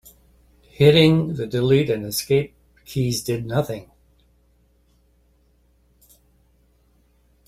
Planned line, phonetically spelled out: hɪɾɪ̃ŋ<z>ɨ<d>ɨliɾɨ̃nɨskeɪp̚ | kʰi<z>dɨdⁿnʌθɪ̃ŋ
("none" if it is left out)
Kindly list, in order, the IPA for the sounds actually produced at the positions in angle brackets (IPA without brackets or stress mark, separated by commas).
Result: ð, d, z